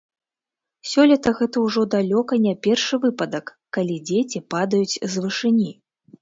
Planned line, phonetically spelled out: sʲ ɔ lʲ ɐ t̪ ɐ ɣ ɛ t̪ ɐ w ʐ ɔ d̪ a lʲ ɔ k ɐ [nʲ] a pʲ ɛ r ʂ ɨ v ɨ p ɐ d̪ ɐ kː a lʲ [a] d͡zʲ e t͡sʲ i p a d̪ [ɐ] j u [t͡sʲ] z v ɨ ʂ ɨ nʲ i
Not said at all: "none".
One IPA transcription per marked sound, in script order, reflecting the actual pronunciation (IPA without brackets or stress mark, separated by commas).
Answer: nʲ, i, ɐ, t͡sʲ